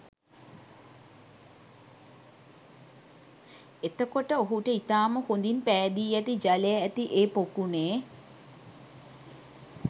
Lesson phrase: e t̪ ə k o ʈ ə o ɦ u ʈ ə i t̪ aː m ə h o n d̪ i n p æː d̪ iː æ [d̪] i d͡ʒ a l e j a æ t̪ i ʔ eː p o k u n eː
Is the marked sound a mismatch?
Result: yes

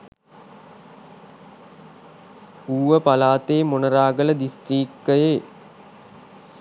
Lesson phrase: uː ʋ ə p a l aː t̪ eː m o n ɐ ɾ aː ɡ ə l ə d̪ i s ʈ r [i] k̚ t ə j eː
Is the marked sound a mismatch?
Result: yes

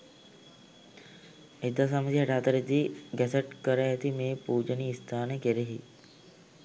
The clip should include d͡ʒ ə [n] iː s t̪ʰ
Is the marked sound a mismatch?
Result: no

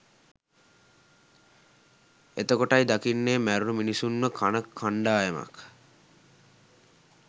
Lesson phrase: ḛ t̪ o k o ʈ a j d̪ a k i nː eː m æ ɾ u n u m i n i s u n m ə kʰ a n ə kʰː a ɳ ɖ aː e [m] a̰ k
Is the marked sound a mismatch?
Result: no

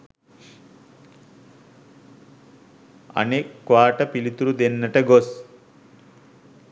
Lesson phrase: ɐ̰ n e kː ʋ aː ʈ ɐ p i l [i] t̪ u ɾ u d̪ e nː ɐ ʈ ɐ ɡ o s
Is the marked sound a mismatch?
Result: no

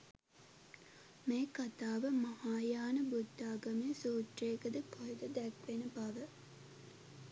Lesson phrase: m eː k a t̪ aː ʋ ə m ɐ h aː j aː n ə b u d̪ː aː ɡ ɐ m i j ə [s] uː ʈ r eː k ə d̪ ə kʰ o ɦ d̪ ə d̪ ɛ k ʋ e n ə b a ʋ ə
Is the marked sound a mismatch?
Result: no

